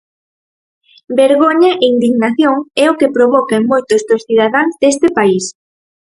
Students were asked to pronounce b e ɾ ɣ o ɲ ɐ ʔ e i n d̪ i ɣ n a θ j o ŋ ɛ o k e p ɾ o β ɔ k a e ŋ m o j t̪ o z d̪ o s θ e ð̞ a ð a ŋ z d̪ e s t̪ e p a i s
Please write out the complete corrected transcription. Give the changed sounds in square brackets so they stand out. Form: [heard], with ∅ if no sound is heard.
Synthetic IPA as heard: b e ɾ ɣ o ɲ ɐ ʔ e i n d̪ i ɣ n a θ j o ŋ ɛ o k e p ɾ o β ɔ k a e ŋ m o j t̪ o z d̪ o s θ [i] ð̞ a ð a ŋ z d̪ e s t̪ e p a i s